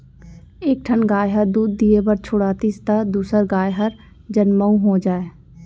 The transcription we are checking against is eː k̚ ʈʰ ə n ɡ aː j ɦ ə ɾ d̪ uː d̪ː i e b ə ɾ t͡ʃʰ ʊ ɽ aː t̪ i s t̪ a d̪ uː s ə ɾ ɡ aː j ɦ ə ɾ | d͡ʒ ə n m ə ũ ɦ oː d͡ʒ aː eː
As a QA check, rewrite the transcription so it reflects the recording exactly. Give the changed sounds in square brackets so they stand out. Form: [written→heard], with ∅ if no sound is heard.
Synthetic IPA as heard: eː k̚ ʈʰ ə n ɡ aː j ɦ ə ɾ d̪ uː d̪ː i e b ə ɾ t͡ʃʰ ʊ ɽ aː t̪ i s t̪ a d̪ uː s ə ɾ ɡ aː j ɦ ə ɾ | d͡ʒ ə n m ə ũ ɦ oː d͡ʒ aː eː